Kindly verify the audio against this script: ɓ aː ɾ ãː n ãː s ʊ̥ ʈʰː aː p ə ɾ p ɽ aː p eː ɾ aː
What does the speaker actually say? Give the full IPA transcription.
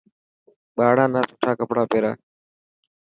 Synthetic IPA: ɓ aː ɽ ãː n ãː s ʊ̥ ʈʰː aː k ə p ɽ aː p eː ɾ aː